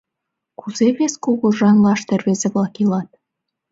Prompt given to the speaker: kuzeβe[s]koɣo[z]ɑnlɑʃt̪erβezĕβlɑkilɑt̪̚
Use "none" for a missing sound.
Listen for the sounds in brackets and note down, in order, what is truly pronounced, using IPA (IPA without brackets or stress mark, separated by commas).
s, ʒ